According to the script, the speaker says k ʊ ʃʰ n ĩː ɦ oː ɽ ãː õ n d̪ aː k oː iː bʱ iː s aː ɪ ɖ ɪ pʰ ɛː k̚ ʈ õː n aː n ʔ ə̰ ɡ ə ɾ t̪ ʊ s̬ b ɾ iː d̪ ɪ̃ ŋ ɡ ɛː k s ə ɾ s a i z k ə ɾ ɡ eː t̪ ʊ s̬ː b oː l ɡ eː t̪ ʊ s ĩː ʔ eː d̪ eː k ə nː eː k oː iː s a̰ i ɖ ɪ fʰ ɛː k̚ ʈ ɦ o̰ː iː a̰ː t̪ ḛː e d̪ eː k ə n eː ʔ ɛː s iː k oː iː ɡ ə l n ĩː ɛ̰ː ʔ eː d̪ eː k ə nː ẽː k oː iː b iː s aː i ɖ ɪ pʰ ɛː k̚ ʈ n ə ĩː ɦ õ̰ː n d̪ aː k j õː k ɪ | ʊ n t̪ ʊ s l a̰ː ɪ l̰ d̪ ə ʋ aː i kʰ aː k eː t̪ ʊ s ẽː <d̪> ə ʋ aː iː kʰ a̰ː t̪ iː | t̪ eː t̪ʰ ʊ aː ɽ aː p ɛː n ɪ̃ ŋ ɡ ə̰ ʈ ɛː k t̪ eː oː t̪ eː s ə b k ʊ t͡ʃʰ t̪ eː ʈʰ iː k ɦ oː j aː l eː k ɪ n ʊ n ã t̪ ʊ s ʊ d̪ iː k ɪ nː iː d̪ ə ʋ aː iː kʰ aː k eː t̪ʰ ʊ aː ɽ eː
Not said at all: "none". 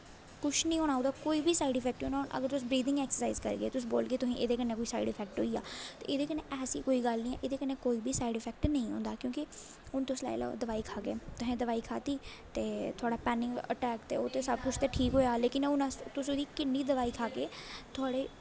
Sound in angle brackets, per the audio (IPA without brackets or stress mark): d̪